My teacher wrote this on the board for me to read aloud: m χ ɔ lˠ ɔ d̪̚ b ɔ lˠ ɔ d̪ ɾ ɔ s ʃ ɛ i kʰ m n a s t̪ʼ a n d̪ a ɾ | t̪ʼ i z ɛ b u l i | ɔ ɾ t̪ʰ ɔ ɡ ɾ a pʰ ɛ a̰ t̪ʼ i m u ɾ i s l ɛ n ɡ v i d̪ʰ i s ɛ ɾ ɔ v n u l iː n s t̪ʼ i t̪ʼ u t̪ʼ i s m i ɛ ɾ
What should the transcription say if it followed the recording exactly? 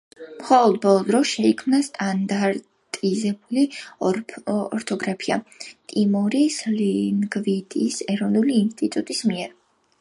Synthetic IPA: m χ ɔ lˠ ɔ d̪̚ b ɔ lˠ ɔ d̪ ɾ ɔ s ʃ ɛ i kʰ m n a s t̪ʼ a n d̪ a ɾ | t̪ʼ i z ɛ b u l i | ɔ ɾ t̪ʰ ɔ ɡ ɾ a pʰ i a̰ t̪ʼ i m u ɾ i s l i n ɡ v i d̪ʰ i s ɛ ɾ ɔ v n u l iː n s t̪ʼ i t̪ʼ u t̪ʼ i s m i ɛ ɾ